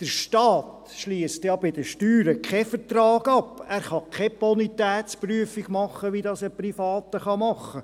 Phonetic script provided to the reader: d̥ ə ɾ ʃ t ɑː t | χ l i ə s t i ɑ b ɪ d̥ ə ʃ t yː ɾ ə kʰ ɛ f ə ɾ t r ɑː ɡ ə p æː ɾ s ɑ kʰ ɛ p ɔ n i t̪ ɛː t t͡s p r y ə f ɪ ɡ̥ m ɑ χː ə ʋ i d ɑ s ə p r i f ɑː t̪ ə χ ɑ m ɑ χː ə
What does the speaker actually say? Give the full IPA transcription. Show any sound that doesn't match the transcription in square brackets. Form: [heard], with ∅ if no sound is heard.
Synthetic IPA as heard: d̥ ə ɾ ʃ t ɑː t | [ʃ] l i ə s t [j] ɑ b ɪ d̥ ə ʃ t yː ɾ ə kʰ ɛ f ə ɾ t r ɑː ɡ [ɑ] p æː ɾ [χ] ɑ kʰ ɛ p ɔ n i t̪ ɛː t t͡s p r y ə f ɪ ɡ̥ m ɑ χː ə ʋ i d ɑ s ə p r i f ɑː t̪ ə χ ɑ m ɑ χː ə